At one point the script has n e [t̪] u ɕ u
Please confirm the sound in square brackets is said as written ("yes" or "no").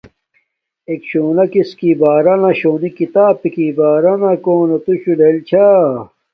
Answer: yes